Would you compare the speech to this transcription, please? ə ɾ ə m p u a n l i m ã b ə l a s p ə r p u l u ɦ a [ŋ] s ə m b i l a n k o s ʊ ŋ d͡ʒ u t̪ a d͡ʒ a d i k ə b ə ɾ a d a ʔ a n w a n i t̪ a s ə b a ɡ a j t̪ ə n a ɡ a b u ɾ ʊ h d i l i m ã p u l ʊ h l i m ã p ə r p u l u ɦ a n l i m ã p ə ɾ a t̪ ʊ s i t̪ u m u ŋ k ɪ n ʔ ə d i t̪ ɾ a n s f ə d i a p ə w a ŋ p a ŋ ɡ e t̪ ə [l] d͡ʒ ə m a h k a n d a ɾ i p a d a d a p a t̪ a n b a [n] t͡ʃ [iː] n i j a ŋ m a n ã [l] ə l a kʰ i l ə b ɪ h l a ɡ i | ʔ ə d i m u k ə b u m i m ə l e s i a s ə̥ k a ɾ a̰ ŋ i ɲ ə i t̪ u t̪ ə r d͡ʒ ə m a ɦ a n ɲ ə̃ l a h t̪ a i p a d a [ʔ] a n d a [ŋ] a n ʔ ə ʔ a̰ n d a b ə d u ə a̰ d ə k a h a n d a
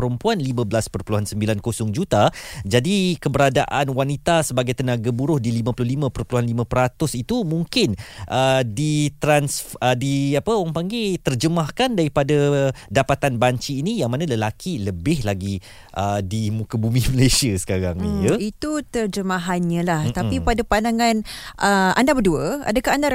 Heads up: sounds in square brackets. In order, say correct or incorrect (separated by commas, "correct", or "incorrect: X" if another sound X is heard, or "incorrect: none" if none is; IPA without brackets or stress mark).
incorrect: n, incorrect: r, incorrect: ɲ, correct, correct, incorrect: p, correct